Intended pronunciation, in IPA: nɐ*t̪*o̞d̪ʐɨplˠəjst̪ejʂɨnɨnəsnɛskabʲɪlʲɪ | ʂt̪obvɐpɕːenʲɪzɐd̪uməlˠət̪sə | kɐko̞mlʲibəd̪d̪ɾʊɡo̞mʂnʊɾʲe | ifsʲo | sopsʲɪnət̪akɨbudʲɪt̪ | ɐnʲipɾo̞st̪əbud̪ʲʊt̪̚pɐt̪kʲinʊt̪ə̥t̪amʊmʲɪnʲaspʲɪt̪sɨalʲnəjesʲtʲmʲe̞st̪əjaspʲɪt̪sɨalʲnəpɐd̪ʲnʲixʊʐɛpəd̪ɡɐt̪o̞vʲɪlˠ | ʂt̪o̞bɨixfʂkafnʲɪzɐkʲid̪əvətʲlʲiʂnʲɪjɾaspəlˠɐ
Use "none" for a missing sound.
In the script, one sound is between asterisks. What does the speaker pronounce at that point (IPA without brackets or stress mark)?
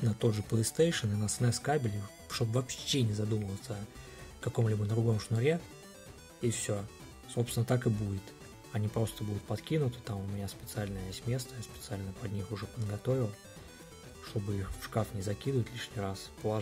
t̪